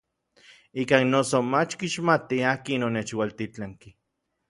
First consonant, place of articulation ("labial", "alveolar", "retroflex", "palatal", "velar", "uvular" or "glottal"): velar